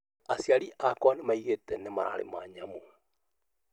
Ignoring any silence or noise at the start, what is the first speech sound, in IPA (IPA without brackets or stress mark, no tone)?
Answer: a